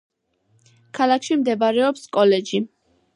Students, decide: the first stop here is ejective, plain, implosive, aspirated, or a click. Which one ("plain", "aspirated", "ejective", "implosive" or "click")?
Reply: aspirated